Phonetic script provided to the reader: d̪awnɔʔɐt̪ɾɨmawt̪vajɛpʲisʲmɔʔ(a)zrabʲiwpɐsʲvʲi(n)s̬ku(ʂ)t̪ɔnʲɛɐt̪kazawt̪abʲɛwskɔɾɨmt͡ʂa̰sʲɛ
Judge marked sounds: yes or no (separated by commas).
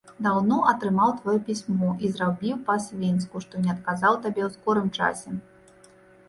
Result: no, yes, yes